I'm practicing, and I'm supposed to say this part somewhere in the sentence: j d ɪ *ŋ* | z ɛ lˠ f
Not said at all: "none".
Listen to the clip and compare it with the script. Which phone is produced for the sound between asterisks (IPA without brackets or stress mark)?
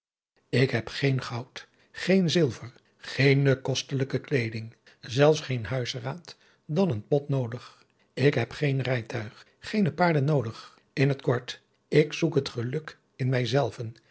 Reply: ŋ